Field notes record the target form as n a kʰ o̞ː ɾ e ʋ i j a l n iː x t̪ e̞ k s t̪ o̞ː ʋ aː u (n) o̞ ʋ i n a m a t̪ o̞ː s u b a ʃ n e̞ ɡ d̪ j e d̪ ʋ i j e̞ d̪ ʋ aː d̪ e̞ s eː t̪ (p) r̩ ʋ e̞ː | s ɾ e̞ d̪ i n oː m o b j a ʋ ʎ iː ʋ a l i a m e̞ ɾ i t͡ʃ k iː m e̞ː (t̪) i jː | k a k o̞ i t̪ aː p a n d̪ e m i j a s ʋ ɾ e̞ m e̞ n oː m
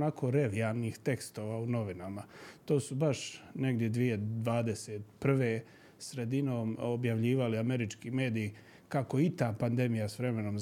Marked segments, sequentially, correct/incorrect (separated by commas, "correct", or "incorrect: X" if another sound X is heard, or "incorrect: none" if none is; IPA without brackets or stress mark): correct, correct, incorrect: d̪